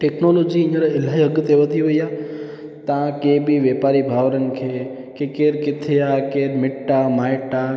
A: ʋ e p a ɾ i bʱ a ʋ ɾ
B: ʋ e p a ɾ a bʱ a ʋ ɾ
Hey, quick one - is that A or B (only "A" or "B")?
A